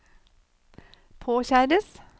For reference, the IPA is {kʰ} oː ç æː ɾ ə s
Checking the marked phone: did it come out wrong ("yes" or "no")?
yes